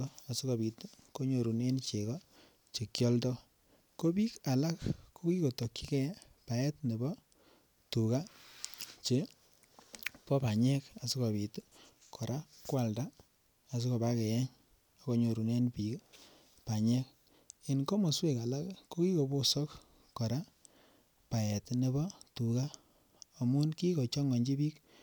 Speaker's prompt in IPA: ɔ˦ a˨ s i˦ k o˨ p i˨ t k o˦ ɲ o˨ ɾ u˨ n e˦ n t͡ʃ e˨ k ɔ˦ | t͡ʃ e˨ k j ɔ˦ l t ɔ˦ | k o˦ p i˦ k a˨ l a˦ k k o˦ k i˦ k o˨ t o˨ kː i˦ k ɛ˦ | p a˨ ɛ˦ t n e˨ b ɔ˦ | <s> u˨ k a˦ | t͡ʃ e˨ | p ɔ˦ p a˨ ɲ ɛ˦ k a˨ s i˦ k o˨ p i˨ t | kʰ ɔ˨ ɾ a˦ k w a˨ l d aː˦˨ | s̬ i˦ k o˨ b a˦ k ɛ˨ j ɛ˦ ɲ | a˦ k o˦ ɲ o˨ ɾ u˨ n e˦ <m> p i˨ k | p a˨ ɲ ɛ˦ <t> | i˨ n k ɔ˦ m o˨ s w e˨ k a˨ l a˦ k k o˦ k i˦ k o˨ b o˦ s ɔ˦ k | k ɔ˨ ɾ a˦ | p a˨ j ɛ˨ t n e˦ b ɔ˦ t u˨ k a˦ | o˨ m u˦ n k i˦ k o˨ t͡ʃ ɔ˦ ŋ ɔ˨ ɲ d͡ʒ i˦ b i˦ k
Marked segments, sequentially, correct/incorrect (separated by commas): incorrect, incorrect, incorrect